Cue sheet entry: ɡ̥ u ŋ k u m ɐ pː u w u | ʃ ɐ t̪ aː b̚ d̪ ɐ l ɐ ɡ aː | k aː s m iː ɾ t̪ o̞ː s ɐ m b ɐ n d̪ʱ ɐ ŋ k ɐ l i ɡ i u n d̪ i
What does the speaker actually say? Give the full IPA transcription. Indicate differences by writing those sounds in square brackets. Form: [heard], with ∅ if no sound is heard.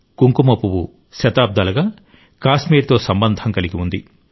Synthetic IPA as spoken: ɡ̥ u ŋ k u m ɐ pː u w u | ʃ ɐ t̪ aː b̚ d̪ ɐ l ɐ ɡ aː | k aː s m iː ɾ t̪ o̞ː s ɐ m b ɐ n d̪ʱ ɐ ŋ k ɐ l i ɡ i u n d̪ i